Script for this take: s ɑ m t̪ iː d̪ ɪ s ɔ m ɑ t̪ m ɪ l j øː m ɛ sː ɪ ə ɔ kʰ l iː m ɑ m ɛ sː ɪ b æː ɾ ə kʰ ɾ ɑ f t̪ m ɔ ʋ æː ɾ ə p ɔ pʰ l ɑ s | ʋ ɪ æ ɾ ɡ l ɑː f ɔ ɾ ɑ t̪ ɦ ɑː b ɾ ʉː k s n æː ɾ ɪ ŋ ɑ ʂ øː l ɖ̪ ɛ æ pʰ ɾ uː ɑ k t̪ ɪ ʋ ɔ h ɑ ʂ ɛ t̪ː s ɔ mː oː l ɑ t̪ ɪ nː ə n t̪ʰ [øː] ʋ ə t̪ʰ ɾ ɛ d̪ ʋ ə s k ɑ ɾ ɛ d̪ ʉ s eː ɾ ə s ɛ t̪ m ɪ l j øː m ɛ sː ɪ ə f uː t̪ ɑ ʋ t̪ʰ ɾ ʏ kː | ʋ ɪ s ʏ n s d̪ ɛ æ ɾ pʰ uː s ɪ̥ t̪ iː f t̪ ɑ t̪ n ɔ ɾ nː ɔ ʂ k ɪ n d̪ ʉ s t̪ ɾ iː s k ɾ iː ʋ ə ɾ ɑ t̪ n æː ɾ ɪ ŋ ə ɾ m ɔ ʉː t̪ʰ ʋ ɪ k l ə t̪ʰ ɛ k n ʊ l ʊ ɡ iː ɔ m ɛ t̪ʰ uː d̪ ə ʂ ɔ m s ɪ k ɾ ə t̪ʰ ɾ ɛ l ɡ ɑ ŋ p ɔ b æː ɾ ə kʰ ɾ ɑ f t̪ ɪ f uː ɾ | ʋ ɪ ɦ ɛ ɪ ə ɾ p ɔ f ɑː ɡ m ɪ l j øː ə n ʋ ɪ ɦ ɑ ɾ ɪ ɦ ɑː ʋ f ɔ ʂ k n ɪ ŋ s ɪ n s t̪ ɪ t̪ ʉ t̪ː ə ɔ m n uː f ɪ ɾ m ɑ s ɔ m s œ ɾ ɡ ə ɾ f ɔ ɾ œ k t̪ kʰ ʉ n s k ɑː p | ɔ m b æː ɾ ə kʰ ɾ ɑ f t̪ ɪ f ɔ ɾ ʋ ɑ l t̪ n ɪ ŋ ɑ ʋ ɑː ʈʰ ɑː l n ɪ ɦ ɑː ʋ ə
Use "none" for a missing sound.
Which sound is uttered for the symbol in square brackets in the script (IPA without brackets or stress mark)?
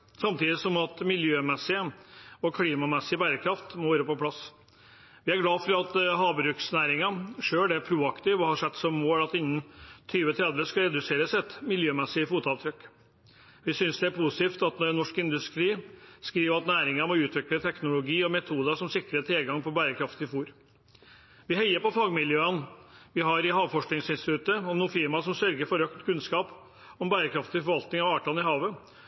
yː